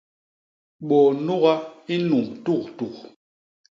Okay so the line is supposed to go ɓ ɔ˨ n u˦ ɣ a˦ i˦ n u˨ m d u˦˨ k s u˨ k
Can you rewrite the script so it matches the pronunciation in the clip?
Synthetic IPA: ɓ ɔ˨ n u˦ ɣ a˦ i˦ n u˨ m t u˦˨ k t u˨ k